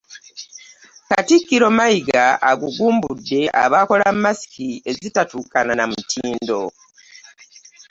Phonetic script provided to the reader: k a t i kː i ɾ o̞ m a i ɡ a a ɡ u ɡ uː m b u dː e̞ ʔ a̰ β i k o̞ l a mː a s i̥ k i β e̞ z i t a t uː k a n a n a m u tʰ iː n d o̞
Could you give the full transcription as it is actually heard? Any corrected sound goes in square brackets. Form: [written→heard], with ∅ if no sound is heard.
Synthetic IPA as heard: k a t i kː i ɾ o̞ m a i ɡ a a ɡ u ɡ uː m b u dː e̞ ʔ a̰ β [i→a] k o̞ l a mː a s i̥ k i [β→∅] e̞ z i t a t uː k a n a n a m u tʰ iː n d o̞